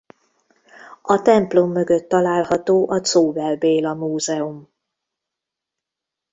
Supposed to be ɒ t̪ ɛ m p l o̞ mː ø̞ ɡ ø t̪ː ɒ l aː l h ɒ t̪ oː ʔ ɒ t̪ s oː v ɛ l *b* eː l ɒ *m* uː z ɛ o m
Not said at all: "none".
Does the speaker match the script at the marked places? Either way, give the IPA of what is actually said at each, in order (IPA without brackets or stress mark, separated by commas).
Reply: b, m